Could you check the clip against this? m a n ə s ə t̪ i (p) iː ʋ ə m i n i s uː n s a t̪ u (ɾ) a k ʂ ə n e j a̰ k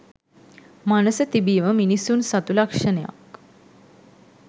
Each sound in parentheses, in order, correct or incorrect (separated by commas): incorrect, incorrect